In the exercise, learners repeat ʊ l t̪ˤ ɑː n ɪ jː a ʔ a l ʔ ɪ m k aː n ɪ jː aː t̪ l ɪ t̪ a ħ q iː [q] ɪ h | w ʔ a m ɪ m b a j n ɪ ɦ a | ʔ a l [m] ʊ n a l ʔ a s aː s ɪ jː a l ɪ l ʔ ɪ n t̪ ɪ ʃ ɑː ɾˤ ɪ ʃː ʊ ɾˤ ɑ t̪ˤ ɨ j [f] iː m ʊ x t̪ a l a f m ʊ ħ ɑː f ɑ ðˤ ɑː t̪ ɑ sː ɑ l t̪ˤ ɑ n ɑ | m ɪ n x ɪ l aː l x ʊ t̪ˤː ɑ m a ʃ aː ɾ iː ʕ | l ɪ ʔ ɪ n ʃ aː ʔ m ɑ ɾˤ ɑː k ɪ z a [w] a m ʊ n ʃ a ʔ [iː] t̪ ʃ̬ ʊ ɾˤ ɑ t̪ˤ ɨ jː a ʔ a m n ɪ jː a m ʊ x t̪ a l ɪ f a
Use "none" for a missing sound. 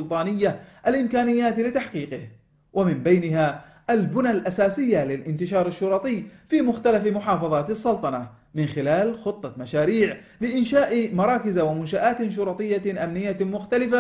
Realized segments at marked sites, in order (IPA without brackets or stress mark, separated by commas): q, b, f, w, aː